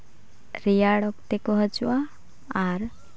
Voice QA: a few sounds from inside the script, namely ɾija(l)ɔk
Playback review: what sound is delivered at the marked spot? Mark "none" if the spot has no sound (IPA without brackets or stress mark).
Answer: ɽ